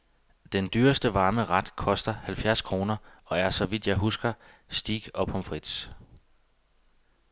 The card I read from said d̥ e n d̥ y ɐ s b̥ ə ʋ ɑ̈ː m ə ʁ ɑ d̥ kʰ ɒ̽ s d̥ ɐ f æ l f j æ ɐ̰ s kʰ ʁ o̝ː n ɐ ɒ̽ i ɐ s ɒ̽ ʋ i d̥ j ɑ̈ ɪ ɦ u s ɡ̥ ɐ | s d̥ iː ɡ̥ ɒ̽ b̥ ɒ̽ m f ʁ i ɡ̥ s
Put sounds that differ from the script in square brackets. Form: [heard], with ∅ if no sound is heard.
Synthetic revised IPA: d̥ e n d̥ y ɐ s [d̥] ə ʋ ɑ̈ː m ə ʁ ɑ d̥ kʰ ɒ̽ s d̥ ɐ [h] æ l f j æ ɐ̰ s kʰ ʁ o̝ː n ɐ ɒ̽ [æ] ɐ s ɒ̽ ʋ i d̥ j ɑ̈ ɪ ɦ u s ɡ̥ ɐ | s d̥ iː ɡ̥ ɒ̽ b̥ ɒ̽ m f ʁ i [d̥] s

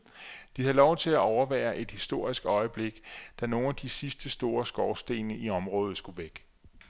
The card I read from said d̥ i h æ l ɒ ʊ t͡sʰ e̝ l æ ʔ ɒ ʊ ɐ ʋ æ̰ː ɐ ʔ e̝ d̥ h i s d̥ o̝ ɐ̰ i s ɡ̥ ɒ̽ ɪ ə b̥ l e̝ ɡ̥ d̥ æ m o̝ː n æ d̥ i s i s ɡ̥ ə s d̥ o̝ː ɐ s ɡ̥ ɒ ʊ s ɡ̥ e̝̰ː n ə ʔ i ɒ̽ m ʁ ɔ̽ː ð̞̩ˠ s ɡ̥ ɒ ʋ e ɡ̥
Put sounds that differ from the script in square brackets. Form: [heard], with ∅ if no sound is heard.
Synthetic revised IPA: d̥ i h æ l ɒ ʊ t͡sʰ e̝ l æ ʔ ɒ ʊ ɐ ʋ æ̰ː ɐ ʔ e̝ d̥ h i s d̥ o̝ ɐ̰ i s ɡ̥ ɒ̽ ɪ ə b̥ l e̝ ɡ̥ d̥ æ [n] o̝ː n æ d̥ i s i s [d̥] ə s d̥ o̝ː ɐ s ɡ̥ ɒ ʊ s [d̥] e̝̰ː n ə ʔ i ɒ̽ m ʁ ɔ̽ː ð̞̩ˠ s ɡ̥ [u] ʋ e ɡ̥

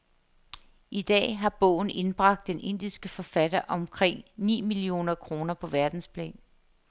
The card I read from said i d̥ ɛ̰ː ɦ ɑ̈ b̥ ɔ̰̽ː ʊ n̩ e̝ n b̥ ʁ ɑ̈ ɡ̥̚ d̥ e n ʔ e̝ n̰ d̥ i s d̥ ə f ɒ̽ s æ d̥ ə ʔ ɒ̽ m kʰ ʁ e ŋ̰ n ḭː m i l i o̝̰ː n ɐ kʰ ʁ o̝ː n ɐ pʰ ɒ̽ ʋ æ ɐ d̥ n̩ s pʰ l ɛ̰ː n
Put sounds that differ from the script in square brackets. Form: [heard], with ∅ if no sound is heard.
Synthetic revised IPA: i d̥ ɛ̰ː ɦ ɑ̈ b̥ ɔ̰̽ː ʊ n̩ e̝ n b̥ ʁ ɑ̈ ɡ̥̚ d̥ e n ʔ e̝ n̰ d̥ i s [ɡ̥] ə f ɒ̽ [f] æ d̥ [ɐ] ʔ ɒ̽ m kʰ ʁ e ŋ̰ n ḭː m i l i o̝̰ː n ɐ kʰ ʁ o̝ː n ɐ pʰ ɒ̽ ʋ æ ɐ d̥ n̩ s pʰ l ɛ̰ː n

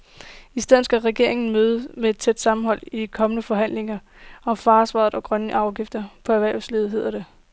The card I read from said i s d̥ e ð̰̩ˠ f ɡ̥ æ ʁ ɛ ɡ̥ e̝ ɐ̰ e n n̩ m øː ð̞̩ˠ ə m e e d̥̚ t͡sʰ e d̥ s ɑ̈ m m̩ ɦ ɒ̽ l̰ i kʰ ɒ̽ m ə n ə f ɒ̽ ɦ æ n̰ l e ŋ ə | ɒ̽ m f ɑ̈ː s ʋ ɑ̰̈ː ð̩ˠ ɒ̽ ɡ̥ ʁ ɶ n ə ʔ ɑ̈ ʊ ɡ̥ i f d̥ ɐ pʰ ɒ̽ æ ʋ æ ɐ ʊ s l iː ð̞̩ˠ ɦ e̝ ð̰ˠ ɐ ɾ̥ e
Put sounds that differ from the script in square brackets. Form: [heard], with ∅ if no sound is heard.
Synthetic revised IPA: i s d̥ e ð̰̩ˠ [s] ɡ̥ æ ʁ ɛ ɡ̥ e̝ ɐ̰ e [ŋ] n̩ m øː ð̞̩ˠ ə m e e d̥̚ t͡sʰ e d̥ s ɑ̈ m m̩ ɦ ɒ̽ l̰ i kʰ ɒ̽ m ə n ə f ɒ̽ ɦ æ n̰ l e ŋ [ɐ] | ɒ̽ m f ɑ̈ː s ʋ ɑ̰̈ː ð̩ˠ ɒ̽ ɡ̥ ʁ ɶ n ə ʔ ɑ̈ ʊ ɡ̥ i f d̥ ɐ pʰ ɒ̽ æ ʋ æ ɐ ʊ s l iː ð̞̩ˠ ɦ e̝ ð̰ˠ ɐ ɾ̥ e

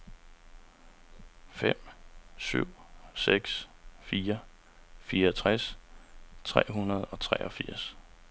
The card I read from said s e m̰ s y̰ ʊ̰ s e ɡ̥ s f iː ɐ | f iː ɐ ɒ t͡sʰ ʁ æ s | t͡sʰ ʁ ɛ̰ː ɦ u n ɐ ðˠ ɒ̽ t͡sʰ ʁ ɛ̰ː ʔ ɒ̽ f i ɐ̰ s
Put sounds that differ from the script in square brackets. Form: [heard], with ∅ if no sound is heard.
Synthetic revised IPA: [f] e m̰ s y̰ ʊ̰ s e ɡ̥ s f iː ɐ | f iː ɐ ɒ t͡sʰ ʁ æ s | t͡sʰ ʁ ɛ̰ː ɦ u n ɐ ðˠ ɒ̽ t͡sʰ ʁ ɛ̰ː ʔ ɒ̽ f i ɐ̰ s

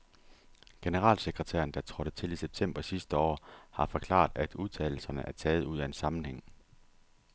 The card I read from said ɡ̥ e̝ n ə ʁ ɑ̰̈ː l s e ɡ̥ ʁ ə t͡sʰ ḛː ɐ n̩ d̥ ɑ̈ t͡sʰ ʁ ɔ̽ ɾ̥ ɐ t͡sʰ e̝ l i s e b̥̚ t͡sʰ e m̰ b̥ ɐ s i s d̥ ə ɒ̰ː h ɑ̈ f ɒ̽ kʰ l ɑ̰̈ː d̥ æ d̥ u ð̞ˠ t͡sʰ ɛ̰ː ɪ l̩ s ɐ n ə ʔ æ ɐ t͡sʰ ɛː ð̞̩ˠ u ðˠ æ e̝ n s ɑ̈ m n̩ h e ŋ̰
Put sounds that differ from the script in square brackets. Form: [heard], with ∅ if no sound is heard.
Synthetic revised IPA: ɡ̥ e̝ n ə ʁ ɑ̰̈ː l s e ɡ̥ ʁ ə t͡sʰ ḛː ɐ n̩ d̥ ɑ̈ t͡sʰ ʁ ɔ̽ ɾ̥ [ə] t͡sʰ e̝ l i s e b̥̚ t͡sʰ e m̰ b̥ ɐ s i s d̥ ə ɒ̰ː h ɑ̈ f ɒ̽ kʰ l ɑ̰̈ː d̥ æ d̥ u ð̞ˠ t͡sʰ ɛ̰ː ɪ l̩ s ɐ n ə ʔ æ ɐ t͡sʰ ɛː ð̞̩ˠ u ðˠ æ e̝ n s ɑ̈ m n̩ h e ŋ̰

